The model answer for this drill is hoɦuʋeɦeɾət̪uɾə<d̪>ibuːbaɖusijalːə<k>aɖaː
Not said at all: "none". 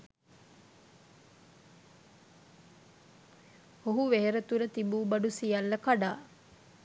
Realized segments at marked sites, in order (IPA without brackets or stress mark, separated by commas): t̪, k